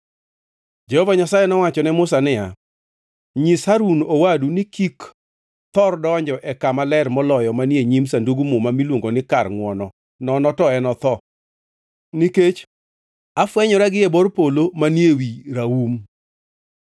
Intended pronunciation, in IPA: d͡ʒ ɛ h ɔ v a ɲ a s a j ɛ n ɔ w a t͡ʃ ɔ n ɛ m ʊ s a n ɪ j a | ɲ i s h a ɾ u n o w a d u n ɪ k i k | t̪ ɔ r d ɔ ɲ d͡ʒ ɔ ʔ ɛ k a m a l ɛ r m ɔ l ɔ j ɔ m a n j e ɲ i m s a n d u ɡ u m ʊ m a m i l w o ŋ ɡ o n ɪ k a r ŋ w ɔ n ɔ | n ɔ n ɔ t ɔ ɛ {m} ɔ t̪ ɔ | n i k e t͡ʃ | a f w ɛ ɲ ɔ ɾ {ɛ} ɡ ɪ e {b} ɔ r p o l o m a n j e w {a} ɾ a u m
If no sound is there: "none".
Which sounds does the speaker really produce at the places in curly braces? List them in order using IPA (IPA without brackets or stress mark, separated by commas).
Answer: n, a, b, i